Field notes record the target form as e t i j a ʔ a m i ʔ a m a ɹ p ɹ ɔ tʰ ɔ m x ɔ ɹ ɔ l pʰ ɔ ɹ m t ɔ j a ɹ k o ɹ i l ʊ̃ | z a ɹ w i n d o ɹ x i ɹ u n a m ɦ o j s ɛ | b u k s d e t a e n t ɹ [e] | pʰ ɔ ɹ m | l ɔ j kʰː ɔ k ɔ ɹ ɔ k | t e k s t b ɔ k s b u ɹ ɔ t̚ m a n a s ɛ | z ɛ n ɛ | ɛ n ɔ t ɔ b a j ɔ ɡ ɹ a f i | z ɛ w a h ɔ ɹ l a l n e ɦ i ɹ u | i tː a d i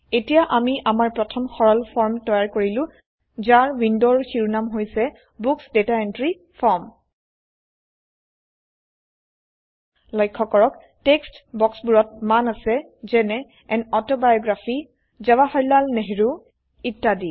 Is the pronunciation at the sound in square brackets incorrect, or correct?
incorrect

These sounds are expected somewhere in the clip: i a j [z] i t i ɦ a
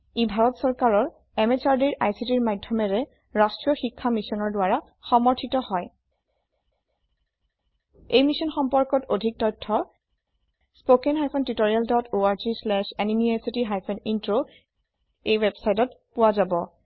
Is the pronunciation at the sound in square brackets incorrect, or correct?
incorrect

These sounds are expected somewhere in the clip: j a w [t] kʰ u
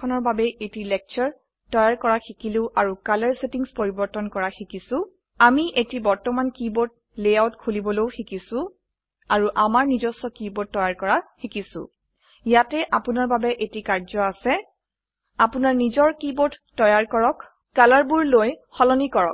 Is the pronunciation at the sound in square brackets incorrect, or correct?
correct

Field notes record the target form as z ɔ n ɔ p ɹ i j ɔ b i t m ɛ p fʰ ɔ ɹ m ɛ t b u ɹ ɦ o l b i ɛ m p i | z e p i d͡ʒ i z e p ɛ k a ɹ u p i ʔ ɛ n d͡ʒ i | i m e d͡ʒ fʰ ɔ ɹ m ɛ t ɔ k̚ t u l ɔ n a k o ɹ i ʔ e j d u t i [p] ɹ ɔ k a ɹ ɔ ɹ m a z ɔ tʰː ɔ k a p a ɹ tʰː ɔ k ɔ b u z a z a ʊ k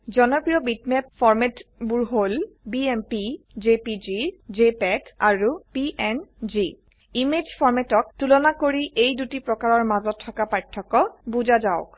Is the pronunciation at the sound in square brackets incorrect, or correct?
correct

